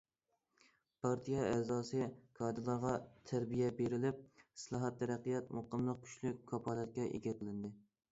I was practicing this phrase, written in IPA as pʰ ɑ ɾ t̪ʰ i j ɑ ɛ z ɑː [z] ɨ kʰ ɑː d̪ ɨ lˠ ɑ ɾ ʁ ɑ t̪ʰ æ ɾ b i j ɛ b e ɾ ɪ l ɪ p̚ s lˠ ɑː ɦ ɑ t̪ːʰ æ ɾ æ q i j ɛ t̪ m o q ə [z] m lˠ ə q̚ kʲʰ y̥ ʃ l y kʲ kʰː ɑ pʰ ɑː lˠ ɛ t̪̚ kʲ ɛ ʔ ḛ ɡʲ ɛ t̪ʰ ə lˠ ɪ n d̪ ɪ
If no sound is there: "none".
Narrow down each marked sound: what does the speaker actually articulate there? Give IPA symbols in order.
s, none

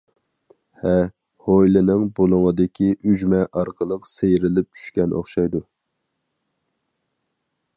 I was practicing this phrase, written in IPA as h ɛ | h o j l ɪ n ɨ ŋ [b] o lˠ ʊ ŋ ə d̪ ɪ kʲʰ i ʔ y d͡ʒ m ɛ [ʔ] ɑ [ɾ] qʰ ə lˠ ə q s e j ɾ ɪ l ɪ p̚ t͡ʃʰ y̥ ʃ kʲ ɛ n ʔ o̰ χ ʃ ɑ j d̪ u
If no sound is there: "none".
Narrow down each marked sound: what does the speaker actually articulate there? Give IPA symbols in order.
b, ʔ, ɾ

